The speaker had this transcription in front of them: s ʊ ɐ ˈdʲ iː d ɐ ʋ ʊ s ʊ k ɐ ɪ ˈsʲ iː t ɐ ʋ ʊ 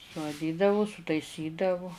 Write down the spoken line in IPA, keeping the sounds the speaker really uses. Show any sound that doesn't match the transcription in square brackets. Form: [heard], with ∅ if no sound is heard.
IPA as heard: s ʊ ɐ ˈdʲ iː d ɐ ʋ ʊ s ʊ [t] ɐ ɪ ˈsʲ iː [d] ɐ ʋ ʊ